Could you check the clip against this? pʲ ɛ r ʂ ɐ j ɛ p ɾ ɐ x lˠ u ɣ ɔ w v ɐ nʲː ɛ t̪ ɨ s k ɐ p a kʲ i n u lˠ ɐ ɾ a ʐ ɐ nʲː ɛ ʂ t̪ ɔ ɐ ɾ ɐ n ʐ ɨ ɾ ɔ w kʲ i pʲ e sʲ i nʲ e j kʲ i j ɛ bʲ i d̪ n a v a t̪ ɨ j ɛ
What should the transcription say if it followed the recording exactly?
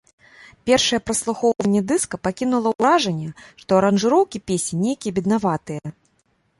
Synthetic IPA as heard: pʲ ɛ r ʂ ɐ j ɛ p ɾ ɐ s lˠ u x ɔ w v ɐ nʲː ɛ d̪ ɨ s k ɐ p a kʲ i n u lˠ ɐ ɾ a ʐ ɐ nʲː ɛ ʂ t̪ ɔ ɐ ɾ ɐ n ʐ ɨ ɾ ɔ w kʲ i pʲ e sʲ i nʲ e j kʲ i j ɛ bʲ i d̪ n a v a t̪ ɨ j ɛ